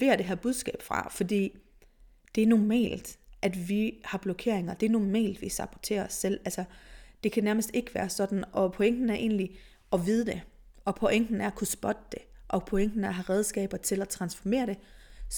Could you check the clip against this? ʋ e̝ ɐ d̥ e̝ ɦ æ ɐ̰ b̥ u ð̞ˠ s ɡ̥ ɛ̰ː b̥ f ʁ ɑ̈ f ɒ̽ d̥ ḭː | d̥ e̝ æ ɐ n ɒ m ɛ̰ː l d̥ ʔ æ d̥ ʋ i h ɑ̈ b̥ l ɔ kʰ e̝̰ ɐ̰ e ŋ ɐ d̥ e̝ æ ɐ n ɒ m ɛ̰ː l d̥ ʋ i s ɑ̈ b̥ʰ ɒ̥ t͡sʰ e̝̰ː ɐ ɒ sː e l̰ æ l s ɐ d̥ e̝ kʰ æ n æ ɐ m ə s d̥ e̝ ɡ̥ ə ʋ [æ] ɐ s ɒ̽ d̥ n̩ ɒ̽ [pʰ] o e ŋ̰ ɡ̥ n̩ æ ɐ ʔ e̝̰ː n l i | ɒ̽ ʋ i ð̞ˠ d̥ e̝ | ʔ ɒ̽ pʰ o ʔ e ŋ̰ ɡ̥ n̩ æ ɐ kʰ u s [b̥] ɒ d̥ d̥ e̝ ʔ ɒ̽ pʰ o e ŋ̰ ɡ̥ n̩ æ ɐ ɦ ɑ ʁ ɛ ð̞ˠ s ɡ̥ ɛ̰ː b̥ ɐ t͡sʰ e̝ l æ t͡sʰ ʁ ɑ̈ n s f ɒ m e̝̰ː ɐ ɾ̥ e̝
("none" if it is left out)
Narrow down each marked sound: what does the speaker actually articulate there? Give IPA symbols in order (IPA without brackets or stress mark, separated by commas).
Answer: æː, pʰ, b̥